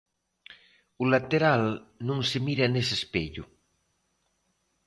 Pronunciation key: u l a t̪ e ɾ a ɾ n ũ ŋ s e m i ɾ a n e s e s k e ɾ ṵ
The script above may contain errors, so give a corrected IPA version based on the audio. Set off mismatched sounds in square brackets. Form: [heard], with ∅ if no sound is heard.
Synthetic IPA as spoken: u l a t̪ e ɾ a [l] n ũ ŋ s e m i ɾ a n e s e s [p] e [ʎ] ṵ

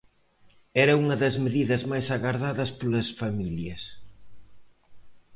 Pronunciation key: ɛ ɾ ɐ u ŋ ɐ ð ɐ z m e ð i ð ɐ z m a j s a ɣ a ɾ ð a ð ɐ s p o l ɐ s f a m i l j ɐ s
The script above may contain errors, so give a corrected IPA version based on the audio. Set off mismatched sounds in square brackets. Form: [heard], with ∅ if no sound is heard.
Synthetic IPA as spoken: ɛ ɾ ɐ u ŋ ɐ ð ɐ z m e ð i ð ɐ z m a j s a ɣ a ɾ ð a ð ɐ s p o l ɐ s f a m i l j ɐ s

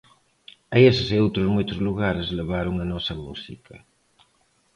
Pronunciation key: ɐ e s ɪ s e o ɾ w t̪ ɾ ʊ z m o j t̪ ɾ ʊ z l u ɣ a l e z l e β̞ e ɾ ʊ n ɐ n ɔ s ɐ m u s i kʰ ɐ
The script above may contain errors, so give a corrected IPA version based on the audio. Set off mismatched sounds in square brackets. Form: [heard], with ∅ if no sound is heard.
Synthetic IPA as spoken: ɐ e s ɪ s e o [∅] w t̪ ɾ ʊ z m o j t̪ ɾ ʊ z l u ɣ a [ɾ] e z l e β̞ [a] ɾ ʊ [ŋ] ɐ n ɔ s ɐ m u s i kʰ ɐ

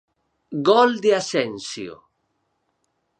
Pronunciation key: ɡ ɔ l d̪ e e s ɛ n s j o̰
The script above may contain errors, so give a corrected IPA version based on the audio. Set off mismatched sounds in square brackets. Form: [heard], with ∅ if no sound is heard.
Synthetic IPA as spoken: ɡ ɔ l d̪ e [a] s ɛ n s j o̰

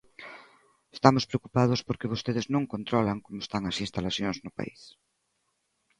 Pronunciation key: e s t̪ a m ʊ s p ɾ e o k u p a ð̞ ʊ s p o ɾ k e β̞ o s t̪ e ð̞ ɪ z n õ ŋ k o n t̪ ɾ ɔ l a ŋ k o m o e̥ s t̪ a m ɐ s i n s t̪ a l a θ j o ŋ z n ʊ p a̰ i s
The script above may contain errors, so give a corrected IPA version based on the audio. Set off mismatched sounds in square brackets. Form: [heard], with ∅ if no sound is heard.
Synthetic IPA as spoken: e s t̪ a m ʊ s p ɾ e o k u p a ð̞ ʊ s p o ɾ k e β̞ o s t̪ e ð̞ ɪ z n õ ŋ k o n t̪ ɾ ɔ l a ŋ k o m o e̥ s t̪ a [ŋ] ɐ s i n s t̪ a l a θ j o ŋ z n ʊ p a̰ i s

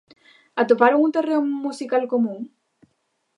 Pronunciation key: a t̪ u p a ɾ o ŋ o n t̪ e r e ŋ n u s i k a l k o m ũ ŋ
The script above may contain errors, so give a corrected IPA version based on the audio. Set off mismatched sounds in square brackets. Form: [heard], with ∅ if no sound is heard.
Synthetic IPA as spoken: a t̪ [o] p a ɾ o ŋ [u] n t̪ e r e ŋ [m] u s i k a l k o m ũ ŋ

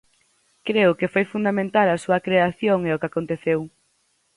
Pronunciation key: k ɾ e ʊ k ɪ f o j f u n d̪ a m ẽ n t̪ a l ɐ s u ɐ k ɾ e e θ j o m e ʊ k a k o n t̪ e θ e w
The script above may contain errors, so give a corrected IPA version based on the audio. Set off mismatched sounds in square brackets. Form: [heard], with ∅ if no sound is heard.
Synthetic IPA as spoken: k ɾ e ʊ k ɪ f o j f u n d̪ a m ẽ n t̪ a l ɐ s u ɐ k ɾ e [a] θ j o [ŋ] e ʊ k a k o n t̪ e θ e w

